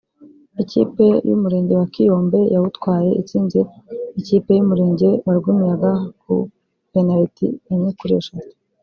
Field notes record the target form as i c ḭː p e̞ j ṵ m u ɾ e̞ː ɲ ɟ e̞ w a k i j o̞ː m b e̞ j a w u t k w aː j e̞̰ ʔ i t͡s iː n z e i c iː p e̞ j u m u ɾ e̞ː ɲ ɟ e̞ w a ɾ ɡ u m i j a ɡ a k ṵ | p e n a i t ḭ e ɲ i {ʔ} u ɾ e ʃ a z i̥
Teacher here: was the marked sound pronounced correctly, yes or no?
no